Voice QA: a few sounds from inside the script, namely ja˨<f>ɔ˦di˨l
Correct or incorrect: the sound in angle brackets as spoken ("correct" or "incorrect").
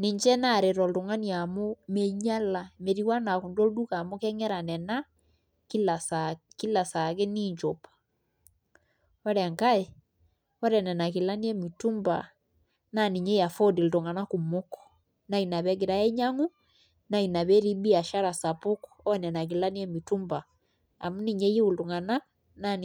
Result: correct